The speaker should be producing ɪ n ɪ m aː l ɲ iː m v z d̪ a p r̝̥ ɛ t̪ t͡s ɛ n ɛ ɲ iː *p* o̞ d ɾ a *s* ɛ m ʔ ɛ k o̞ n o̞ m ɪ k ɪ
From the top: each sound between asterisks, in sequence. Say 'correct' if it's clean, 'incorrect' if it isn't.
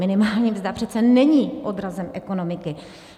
incorrect, incorrect

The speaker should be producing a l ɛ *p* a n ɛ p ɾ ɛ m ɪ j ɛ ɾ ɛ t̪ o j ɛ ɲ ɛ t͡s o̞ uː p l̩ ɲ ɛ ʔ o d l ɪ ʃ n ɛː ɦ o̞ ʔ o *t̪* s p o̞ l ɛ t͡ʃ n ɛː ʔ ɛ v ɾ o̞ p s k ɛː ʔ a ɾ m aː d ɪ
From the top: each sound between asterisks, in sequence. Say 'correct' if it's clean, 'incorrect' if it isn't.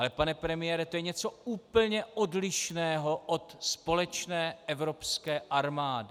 correct, correct

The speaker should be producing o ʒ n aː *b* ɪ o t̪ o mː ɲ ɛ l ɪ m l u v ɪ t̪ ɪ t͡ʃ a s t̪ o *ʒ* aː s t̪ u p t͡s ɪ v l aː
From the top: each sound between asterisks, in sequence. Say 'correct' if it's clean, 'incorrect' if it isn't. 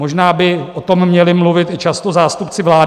correct, incorrect

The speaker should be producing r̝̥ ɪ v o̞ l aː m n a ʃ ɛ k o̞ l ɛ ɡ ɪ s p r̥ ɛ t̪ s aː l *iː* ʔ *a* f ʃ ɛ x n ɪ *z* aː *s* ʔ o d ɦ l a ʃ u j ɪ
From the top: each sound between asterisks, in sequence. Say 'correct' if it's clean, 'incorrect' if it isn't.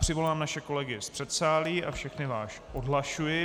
correct, correct, incorrect, incorrect

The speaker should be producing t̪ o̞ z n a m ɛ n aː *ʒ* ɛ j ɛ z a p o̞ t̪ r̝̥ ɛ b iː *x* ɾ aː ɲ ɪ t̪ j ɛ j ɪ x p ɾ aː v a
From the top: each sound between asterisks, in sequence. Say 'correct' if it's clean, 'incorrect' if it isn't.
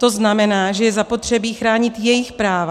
correct, correct

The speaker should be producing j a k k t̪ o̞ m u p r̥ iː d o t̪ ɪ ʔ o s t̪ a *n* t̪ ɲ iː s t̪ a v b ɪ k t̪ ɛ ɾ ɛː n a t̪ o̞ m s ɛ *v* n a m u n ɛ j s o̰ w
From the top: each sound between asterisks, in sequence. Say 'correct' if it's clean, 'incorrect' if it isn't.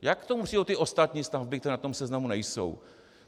incorrect, incorrect

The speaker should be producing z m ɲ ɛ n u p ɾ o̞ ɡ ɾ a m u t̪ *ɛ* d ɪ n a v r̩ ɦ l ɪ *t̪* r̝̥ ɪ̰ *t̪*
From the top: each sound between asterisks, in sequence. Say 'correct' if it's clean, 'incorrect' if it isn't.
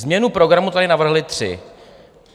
incorrect, correct, incorrect

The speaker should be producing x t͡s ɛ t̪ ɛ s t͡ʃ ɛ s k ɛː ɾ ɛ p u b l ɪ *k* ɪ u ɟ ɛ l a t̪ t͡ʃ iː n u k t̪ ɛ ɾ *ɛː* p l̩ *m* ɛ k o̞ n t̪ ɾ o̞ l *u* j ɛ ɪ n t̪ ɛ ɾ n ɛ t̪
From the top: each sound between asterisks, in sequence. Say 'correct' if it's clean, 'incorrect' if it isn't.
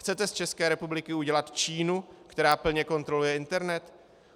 correct, incorrect, incorrect, correct

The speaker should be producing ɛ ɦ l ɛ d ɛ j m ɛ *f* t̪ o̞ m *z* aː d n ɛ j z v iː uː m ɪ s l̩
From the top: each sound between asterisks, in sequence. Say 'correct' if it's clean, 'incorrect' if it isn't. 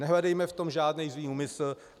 correct, incorrect

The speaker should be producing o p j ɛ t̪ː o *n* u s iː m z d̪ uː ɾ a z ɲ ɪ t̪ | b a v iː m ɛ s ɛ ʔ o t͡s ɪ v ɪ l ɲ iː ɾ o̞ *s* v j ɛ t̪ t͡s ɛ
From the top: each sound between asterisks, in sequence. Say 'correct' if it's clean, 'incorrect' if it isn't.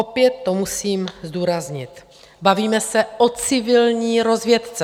incorrect, incorrect

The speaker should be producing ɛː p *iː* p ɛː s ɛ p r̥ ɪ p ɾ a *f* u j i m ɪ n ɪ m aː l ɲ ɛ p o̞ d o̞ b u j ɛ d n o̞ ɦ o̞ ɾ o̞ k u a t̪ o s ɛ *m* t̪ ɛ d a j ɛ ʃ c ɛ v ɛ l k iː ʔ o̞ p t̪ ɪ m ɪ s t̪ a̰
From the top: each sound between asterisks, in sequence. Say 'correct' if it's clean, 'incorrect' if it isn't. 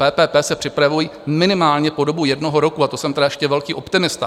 incorrect, incorrect, correct

